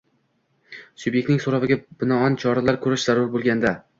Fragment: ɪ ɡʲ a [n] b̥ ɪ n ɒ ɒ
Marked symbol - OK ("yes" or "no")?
no